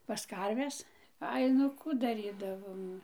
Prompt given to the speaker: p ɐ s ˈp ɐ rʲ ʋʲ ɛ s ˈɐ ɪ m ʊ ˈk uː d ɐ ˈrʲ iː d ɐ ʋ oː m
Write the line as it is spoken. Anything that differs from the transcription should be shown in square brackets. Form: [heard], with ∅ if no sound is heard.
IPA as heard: p ɐ s [ˈk] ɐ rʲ ʋʲ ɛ s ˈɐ ɪ [n] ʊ ˈk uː d ɐ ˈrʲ iː d ɐ ʋ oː m

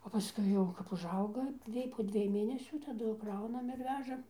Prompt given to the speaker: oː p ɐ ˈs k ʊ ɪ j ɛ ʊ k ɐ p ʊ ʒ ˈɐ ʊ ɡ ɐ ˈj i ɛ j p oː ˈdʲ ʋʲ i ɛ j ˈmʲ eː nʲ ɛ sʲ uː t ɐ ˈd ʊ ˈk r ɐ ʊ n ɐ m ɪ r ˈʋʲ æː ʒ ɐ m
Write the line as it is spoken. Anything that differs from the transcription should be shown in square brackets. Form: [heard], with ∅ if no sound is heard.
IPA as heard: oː p ɐ ˈs k ʊ ɪ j ɛ ʊ k ɐ p ʊ ʒ ˈɐ ʊ ɡ ɐ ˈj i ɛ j p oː ˈdʲ ʋʲ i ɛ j ˈmʲ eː nʲ ɛ sʲ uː t ɐ ˈd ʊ ˈk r ɐ ʊ n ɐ m ɪ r ˈʋʲ æː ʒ ɐ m

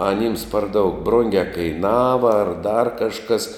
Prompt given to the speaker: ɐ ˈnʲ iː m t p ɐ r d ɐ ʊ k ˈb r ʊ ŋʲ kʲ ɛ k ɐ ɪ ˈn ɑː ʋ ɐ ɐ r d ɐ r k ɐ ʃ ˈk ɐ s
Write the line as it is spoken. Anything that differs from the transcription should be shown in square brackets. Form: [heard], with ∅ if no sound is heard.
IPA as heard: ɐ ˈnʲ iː m [s] p ɐ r d ɐ ʊ k ˈb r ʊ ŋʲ [ɡʲ] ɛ k ɐ ɪ ˈn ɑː ʋ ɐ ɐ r d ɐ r k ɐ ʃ ˈk ɐ s

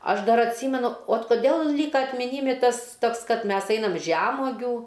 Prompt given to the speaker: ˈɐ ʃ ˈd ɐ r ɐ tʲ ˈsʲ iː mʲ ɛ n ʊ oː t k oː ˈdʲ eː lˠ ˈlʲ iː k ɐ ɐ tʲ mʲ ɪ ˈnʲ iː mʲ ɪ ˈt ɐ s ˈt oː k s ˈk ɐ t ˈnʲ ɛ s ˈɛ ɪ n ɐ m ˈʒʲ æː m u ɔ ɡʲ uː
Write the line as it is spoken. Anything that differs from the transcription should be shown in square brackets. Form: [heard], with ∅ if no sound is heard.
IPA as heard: ˈɐ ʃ ˈd ɐ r ɐ tʲ ˈsʲ iː mʲ ɛ n ʊ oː t k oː ˈdʲ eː lˠ ˈlʲ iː k ɐ ɐ tʲ mʲ ɪ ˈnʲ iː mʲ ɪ ˈt ɐ s ˈt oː k s ˈk ɐ t [ˈmʲ] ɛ s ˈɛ ɪ n ɐ m ˈʒʲ æː m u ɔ ɡʲ uː

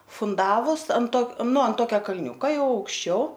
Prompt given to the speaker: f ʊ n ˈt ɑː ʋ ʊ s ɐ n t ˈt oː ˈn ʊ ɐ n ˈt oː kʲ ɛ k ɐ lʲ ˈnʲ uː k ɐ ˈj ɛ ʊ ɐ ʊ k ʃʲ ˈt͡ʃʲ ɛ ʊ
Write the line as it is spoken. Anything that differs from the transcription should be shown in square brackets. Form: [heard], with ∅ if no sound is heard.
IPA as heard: f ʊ n [ˈd] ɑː ʋ ʊ s ɐ n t ˈt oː ˈn ʊ ɐ n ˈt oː kʲ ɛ k ɐ lʲ ˈnʲ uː k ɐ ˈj ɛ ʊ ɐ ʊ k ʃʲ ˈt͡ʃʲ ɛ ʊ

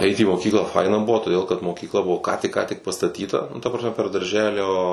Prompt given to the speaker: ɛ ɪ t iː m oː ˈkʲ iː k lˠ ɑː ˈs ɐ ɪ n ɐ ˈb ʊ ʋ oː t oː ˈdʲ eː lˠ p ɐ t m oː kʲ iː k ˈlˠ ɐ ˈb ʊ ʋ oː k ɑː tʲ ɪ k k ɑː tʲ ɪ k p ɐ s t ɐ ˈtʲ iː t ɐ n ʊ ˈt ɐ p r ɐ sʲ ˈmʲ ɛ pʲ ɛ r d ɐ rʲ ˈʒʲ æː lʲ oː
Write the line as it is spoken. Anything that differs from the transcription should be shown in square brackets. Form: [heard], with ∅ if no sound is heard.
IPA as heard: ɛ ɪ t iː m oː ˈkʲ iː k lˠ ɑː [ˈf] ɐ ɪ n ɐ ˈb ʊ ʋ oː t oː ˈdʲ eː lˠ [k] ɐ t m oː kʲ iː k ˈlˠ ɐ ˈb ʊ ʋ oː k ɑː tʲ ɪ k k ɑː tʲ ɪ k p ɐ s t ɐ ˈtʲ iː t ɐ n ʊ ˈt ɐ p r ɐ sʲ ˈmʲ ɛ pʲ ɛ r d ɐ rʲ ˈʒʲ æː lʲ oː

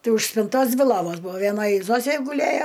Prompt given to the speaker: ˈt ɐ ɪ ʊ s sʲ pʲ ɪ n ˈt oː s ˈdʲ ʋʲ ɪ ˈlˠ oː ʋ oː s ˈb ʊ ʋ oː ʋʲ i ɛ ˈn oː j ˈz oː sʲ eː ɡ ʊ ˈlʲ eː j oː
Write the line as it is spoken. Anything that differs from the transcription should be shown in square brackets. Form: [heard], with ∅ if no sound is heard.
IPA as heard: ˈt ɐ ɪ ʊ [ʃ] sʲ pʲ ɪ n ˈt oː s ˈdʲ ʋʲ ɪ ˈlˠ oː ʋ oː s ˈb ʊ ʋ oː ʋʲ i ɛ ˈn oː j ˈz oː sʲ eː ɡ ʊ ˈlʲ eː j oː

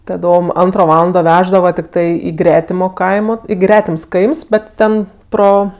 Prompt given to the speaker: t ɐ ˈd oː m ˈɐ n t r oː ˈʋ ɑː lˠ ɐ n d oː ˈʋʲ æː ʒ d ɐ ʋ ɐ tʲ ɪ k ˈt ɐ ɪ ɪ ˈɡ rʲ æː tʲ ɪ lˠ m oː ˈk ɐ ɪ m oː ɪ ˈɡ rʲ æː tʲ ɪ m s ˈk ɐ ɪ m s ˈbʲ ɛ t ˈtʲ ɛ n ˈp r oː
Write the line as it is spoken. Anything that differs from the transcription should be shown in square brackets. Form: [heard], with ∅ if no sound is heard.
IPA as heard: t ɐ ˈd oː m ˈɐ n t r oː ˈʋ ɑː lˠ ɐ n d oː ˈʋʲ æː ʒ d ɐ ʋ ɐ tʲ ɪ k ˈt ɐ ɪ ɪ ˈɡ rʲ æː tʲ ɪ [∅] m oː ˈk ɐ ɪ m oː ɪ ˈɡ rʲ æː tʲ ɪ m s ˈk ɐ ɪ m s ˈbʲ ɛ t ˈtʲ ɛ n ˈp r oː

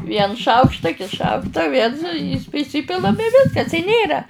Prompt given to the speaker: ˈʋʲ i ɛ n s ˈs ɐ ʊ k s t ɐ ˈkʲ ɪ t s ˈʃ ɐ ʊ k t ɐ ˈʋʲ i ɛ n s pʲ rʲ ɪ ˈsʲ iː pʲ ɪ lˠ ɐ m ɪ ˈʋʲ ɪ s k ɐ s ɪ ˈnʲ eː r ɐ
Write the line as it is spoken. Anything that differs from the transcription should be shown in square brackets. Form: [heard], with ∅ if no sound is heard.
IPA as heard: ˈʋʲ i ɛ n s [ˈʃ] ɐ ʊ k [ʃ] t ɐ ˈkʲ ɪ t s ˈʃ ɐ ʊ k t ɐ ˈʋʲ i ɛ n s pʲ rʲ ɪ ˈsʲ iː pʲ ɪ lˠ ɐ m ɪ ˈʋʲ ɪ s k ɐ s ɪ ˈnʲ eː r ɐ

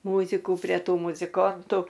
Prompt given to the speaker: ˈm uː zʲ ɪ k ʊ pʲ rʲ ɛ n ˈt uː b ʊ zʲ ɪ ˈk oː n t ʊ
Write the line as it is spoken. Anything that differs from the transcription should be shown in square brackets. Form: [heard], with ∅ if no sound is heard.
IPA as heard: ˈm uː zʲ ɪ k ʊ pʲ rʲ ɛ [∅] ˈt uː [m] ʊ zʲ ɪ ˈk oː n t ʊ

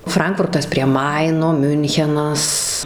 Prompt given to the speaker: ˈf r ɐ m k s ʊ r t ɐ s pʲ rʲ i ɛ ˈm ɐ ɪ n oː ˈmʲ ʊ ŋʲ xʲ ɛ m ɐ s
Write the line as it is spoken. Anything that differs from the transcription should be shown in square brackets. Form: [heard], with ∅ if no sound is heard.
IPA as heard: ˈf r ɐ [ŋ] k [f] ʊ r t ɐ s pʲ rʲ i ɛ ˈm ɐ ɪ n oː ˈmʲ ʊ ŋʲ xʲ ɛ [n] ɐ s

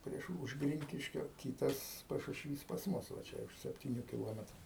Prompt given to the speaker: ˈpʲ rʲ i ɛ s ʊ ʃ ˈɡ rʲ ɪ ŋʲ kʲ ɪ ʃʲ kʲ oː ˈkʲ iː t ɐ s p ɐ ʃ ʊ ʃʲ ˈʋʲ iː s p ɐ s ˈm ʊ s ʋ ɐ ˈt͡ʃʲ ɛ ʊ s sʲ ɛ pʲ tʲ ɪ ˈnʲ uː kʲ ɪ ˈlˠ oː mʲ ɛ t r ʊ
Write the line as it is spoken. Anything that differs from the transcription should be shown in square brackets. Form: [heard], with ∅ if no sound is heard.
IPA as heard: ˈpʲ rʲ i ɛ [ʃ] ʊ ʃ ˈɡ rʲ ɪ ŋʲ kʲ ɪ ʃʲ kʲ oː ˈkʲ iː t ɐ s p ɐ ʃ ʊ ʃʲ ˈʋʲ iː s p ɐ s ˈm ʊ s ʋ ɐ ˈt͡ʃʲ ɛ ʊ [ʃ] sʲ ɛ pʲ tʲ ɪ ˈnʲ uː kʲ ɪ ˈlˠ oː mʲ ɛ t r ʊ

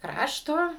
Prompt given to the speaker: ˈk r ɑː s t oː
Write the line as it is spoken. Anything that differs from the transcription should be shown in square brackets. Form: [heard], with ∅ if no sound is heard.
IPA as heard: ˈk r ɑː [ʃ] t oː

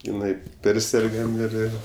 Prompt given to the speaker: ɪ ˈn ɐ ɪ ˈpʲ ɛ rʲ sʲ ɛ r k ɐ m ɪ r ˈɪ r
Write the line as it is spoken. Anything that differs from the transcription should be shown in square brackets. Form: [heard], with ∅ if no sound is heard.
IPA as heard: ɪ ˈn ɐ ɪ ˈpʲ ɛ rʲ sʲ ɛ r [ɡ] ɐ m ɪ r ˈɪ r

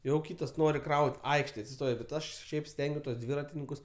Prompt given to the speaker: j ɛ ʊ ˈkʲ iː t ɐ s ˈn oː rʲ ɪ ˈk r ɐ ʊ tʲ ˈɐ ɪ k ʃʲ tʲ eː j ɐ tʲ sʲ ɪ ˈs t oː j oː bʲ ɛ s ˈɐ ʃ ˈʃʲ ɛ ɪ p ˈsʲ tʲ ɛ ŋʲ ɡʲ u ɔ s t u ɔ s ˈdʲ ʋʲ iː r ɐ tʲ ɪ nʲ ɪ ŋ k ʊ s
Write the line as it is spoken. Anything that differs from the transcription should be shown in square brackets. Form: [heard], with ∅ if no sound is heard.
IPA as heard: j ɛ ʊ ˈkʲ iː t ɐ s ˈn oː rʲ ɪ ˈk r ɐ ʊ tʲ ˈɐ ɪ k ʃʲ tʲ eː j ɐ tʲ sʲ ɪ ˈs t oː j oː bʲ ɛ [t] ˈɐ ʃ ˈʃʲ ɛ ɪ p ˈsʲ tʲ ɛ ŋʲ ɡʲ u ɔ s t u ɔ s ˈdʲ ʋʲ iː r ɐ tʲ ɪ nʲ ɪ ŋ k ʊ s

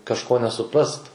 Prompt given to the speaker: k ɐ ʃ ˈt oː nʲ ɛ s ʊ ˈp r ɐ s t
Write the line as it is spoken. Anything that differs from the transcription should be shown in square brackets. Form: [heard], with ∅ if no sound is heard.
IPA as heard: k ɐ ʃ [ˈk] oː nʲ ɛ s ʊ ˈp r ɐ s t

